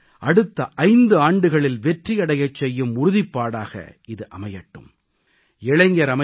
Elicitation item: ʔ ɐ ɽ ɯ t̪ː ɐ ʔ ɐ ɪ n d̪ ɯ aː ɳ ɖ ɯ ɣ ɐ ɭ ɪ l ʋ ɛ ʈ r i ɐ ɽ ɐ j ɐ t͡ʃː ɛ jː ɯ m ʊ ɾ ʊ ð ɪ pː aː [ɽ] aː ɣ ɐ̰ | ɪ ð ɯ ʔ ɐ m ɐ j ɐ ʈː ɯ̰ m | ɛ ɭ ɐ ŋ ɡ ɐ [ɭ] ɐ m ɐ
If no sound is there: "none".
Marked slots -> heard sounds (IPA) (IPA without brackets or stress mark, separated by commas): ɽ, ɾ